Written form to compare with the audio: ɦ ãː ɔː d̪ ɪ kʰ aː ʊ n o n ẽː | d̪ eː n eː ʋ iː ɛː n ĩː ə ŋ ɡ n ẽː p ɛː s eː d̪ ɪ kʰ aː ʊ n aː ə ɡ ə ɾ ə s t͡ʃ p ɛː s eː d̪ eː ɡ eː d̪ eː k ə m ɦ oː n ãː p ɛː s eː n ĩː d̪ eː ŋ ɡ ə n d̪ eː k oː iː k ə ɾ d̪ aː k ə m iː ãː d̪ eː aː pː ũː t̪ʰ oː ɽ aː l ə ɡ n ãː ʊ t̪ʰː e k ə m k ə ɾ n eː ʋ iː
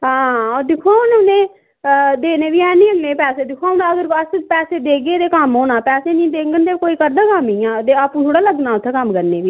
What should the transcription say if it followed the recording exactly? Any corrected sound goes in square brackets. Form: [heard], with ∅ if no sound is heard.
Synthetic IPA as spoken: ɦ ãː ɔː d̪ ɪ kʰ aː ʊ n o n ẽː | d̪ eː n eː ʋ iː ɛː n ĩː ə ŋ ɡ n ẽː p ɛː s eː d̪ ɪ kʰ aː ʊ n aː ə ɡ ə ɾ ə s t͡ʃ p ɛː s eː d̪ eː ɡ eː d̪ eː k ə m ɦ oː n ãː p ɛː s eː n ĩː d̪ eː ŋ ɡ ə n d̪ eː k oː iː k ə ɾ d̪ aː k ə m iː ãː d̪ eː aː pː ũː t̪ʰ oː ɽ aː l ə ɡ n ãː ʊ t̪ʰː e k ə m k ə ɾ n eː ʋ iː